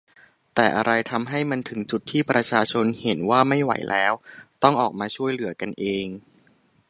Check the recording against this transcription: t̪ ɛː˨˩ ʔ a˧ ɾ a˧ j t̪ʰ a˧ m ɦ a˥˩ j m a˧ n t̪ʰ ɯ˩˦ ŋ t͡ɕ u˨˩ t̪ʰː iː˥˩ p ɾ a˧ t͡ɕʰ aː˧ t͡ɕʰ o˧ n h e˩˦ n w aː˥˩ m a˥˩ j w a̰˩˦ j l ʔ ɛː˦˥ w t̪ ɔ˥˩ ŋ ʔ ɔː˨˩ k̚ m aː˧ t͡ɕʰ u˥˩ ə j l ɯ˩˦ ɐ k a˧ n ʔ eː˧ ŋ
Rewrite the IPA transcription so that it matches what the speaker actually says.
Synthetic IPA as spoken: t̪ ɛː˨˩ ʔ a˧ ɾ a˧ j t̪ʰ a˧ m ɦ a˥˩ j m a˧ n t̪ʰ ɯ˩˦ ŋ t͡ɕ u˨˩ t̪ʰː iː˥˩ p ɾ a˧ t͡ɕʰ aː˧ t͡ɕʰ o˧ n h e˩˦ n w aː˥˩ m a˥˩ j w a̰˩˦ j l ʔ ɛː˦˥ w t̪ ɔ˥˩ ŋ ʔ ɔː˨˩ k̚ m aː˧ t͡ɕʰ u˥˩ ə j l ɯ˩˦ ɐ k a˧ n ʔ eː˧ ŋ